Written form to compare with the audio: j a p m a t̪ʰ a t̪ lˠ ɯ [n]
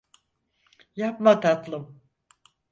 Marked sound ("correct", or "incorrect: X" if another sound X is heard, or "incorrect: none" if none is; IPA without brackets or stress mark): incorrect: m